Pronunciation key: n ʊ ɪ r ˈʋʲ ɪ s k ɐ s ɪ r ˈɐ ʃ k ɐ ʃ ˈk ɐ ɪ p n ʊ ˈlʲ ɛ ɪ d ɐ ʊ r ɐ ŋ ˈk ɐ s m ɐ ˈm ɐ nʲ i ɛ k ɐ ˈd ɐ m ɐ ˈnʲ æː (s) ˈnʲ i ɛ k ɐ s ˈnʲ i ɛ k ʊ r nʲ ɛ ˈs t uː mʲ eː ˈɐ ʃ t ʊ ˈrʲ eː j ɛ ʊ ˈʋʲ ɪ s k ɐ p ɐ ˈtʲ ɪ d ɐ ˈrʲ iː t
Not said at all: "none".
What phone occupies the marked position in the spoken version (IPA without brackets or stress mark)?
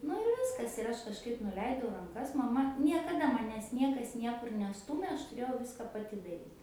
s